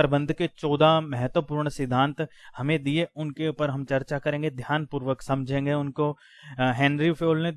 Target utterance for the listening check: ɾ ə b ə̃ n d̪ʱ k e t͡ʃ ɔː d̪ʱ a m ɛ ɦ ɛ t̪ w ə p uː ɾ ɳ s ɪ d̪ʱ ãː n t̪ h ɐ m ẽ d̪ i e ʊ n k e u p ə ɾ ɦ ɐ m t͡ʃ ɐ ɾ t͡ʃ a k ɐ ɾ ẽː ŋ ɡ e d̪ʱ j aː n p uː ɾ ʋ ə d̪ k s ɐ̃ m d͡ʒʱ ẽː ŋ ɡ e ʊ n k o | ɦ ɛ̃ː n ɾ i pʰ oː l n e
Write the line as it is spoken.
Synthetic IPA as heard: ɾ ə b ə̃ n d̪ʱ k e t͡ʃ ɔː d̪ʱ a m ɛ ɦ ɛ t̪ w ə p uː ɾ ɳ s ɪ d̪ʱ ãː n t̪ h ɐ m ẽ d̪ i e ʊ n k e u p ə ɾ ɦ ɐ m t͡ʃ ɐ ɾ t͡ʃ a k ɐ ɾ ẽː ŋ ɡ e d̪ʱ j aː n p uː ɾ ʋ ə k s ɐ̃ m d͡ʒʱ ẽː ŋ ɡ e ʊ n k o | ɦ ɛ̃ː n ɾ i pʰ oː l n e

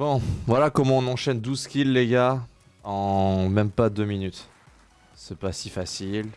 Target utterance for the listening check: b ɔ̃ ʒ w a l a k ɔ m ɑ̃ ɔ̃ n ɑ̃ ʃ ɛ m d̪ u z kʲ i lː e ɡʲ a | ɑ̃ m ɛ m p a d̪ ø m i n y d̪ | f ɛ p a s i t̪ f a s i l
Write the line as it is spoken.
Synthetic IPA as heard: b ɔ̃ v w a l a k ɔ m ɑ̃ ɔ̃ n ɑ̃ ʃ ɛ n d̪ u z kʲ i lː e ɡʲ a | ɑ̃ m ɛ m p a d̪ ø m i n y t̪ | s ɛ p a s i f a s i l

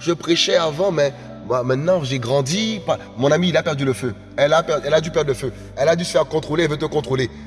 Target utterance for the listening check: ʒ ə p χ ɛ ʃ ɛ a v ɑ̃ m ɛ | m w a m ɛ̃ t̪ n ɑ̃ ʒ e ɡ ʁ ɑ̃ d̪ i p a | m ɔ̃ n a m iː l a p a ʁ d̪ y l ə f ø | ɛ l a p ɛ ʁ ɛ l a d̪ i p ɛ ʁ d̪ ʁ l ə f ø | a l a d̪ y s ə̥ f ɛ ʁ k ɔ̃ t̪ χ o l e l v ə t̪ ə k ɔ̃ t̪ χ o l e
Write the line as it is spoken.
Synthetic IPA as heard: ʒ ə p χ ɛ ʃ ɛ a v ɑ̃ m ɛ | m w a m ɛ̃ t̪ n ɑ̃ ʒ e ɡ ʁ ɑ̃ d̪ i p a | m ɔ̃ n a m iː l a p ɛ ʁ d̪ y l ə f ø | ɛ l a p ɛ ʁ ɛ l a d̪ y p ɛ ʁ d̪ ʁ l ə f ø | ɛ l a d̪ y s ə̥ f ɛ ʁ k ɔ̃ t̪ χ o l e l v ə t̪ ə k ɔ̃ t̪ χ o l e

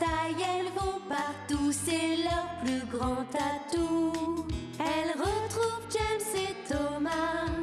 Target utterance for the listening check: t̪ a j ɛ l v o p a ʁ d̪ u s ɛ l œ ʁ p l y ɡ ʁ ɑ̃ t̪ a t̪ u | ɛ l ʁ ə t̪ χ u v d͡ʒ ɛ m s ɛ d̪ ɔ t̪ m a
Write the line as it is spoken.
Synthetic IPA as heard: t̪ a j ɛ l v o p a ʁ t̪ u s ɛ l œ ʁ p l y ɡ ʁ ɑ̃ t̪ a t̪ u | ɛ l ʁ ə t̪ χ u v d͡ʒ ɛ m s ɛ t̪ ɔ m a

